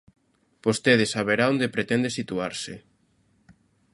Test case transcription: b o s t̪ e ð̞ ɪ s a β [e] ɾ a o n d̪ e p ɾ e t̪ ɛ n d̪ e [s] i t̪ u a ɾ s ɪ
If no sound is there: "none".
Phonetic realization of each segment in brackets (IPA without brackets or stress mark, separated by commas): e, s